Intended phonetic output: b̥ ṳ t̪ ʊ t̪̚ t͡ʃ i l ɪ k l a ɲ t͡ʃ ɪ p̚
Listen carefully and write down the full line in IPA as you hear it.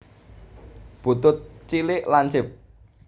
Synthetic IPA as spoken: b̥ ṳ t̪ ʊ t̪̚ t͡ʃ i l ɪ ʔ l a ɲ t͡ʃ ɪ p̚